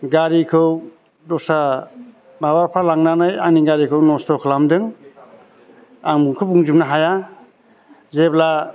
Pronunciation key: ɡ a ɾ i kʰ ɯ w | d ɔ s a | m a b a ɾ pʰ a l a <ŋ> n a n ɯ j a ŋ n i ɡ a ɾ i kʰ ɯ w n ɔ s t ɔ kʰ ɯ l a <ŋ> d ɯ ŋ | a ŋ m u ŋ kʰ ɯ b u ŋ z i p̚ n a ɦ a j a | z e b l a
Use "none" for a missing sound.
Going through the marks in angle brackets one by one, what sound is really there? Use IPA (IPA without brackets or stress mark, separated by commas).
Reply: ŋ, m